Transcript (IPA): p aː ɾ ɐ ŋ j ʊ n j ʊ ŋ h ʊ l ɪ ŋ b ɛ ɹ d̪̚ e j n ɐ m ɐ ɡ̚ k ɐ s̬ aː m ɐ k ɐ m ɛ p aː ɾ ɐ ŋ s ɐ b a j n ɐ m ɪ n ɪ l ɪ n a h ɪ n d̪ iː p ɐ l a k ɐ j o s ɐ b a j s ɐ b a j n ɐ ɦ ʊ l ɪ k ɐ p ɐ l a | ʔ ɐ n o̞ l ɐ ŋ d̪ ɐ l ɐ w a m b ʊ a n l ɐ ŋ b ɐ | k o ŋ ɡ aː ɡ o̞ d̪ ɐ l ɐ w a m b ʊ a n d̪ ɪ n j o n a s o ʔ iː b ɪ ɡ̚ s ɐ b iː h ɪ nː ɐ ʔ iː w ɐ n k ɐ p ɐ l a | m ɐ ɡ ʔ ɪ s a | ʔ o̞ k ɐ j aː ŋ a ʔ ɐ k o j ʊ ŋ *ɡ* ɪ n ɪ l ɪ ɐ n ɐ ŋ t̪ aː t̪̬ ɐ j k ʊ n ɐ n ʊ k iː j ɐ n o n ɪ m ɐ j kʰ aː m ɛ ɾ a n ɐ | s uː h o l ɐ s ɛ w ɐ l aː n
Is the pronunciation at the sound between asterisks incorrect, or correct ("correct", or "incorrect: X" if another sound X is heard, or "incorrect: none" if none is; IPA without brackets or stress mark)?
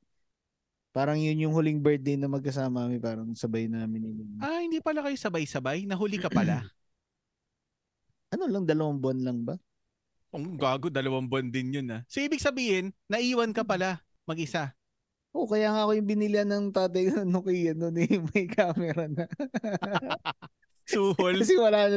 incorrect: b